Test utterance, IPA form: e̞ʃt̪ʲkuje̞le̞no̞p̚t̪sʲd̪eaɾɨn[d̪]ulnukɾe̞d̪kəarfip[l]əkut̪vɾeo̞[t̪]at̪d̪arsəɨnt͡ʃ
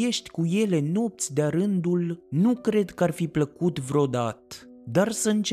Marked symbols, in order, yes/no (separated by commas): yes, yes, no